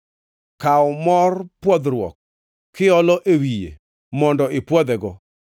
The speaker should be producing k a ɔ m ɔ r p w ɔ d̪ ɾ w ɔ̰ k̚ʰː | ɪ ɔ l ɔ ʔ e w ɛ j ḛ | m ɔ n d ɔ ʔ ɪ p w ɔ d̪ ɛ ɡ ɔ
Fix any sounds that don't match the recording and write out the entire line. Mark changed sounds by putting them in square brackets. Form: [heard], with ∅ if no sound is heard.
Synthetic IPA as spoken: k a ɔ m ɔ r p w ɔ d̪ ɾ w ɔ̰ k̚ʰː | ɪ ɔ l ɔ ʔ e w [i] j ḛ | m ɔ n d ɔ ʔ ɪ p w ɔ d̪ ɛ ɡ ɔ